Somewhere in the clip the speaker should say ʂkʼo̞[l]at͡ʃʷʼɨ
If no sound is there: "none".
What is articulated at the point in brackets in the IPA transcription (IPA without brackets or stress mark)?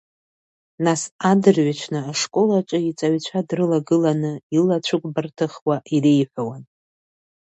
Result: l